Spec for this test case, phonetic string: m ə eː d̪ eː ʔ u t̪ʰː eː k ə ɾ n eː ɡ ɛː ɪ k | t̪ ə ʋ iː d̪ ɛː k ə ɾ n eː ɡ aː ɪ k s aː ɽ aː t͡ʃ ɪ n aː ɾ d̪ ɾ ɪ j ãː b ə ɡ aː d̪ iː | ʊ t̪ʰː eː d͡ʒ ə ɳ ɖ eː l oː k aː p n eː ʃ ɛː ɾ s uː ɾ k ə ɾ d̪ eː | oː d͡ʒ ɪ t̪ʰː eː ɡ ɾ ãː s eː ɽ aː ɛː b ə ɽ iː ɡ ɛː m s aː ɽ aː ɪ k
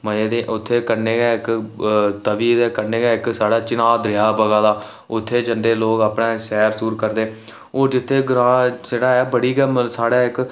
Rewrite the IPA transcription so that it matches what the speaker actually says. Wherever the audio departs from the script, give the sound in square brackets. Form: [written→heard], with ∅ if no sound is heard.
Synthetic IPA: m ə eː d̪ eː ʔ [u→ʊ] t̪ʰː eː k ə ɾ n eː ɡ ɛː ɪ k | t̪ ə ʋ iː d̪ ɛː k ə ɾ n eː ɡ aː ɪ k s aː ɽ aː t͡ʃ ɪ n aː [ɾ→∅] d̪ ɾ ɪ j [ãː→aː] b ə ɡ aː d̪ [iː→aː] | ʊ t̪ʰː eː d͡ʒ ə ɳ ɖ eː l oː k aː p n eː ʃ ɛː ɾ s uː ɾ k ə ɾ d̪ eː | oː d͡ʒ ɪ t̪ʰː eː ɡ ɾ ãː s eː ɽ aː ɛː b ə ɽ iː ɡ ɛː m s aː ɽ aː ɪ k